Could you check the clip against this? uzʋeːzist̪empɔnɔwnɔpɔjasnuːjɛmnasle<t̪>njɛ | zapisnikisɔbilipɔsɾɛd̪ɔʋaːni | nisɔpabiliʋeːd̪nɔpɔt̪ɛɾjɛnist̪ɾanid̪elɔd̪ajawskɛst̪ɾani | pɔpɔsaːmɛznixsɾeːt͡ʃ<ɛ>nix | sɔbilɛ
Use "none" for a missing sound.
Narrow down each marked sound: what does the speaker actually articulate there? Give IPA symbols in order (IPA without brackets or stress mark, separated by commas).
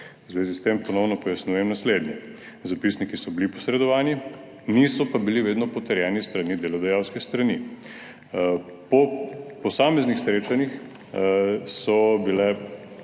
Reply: d̪, a